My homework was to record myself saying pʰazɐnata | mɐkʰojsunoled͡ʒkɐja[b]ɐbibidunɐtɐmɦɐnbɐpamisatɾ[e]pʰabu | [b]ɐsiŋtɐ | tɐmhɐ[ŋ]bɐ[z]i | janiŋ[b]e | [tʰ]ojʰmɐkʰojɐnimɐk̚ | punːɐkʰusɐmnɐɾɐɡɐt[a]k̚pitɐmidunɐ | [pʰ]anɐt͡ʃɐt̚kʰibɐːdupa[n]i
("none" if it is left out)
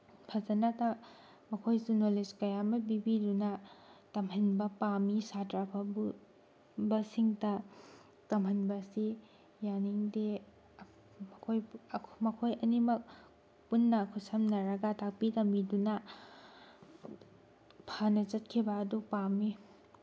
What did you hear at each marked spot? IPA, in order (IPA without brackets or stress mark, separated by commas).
m, a, b, n, s, d, kʰ, a, pʰ, m